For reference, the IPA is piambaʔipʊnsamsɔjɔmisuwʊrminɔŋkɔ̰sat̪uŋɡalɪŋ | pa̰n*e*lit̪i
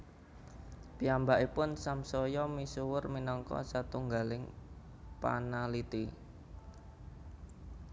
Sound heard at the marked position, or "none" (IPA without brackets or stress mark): a